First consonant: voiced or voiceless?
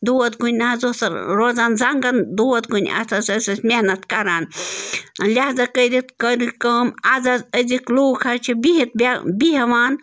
voiced